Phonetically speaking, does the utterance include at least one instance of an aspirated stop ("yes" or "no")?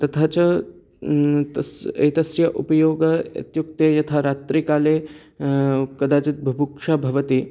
yes